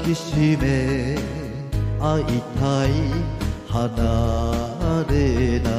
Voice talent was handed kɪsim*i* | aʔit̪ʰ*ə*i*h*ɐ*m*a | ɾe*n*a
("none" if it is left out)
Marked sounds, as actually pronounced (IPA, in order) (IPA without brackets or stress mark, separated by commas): e, a, h, n, n